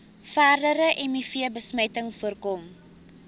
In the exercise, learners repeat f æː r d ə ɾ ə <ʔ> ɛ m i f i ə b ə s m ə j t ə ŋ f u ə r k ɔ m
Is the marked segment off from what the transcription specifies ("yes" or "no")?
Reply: no